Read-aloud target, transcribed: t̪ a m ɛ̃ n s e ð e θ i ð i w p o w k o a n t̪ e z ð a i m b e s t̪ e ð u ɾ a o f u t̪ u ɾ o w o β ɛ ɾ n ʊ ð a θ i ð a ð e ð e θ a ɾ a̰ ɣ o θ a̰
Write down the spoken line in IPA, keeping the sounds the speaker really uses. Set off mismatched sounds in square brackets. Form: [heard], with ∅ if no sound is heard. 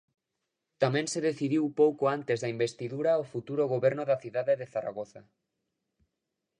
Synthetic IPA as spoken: t̪ a m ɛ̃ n s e ð e θ i ð i w p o w k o a n t̪ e z ð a i m b e s t̪ [i] ð u ɾ a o f u t̪ u ɾ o [ɣ] o β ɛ ɾ n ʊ ð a θ i ð a ð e ð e θ a ɾ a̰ ɣ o θ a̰